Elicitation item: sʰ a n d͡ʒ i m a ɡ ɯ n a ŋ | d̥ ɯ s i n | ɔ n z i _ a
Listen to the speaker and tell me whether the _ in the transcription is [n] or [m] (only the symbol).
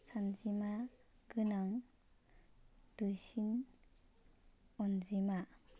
m